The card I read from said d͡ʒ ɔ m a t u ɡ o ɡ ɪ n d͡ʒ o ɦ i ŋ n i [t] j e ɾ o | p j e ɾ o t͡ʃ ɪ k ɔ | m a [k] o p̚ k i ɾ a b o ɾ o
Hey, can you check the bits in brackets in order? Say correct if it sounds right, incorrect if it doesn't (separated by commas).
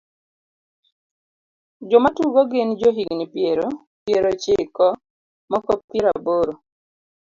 incorrect, correct